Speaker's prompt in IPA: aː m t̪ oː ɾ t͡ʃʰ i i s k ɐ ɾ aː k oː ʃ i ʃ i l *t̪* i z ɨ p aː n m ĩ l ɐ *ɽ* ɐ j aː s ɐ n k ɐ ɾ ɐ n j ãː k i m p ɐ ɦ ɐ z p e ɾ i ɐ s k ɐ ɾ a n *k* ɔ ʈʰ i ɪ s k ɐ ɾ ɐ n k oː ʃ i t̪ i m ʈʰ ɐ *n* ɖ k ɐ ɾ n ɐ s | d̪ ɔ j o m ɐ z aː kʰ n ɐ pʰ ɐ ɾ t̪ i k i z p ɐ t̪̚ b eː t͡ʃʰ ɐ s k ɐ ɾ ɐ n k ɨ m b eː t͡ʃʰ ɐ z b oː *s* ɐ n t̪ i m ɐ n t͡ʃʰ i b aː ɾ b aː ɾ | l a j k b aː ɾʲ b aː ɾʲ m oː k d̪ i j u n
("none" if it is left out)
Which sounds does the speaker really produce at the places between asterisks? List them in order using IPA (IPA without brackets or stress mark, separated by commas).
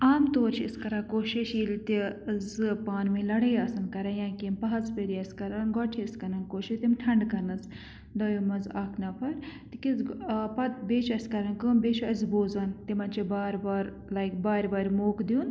t̪, ɽ, ɡ, ɳ, z